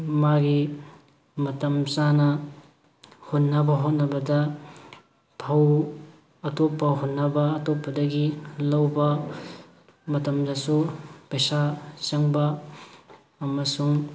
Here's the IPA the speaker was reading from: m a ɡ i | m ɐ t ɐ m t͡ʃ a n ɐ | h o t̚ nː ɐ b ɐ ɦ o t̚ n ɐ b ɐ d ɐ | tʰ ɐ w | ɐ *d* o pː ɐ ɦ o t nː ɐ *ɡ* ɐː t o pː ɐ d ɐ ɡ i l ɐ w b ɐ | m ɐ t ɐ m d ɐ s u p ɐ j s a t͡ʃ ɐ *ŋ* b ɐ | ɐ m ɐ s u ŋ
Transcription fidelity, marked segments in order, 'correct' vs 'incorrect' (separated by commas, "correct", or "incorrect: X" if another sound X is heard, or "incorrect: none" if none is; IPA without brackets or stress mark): incorrect: t, incorrect: b, correct